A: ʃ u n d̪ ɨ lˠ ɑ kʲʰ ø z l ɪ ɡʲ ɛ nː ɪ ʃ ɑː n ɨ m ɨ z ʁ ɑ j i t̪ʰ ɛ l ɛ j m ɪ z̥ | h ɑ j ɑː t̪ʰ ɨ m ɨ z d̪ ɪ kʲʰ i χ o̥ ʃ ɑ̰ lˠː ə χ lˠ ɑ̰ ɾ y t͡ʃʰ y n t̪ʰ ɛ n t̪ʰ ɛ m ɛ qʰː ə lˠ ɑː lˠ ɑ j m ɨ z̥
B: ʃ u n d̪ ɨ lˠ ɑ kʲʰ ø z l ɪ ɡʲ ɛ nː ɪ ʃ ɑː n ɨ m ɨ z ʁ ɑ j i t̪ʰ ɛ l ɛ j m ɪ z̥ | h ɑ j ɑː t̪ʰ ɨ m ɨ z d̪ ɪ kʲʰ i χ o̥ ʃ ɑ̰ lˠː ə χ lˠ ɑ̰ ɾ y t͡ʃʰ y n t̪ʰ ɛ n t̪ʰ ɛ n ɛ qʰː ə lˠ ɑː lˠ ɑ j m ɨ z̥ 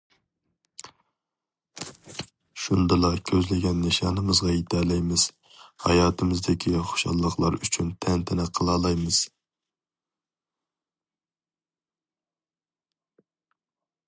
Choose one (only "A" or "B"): B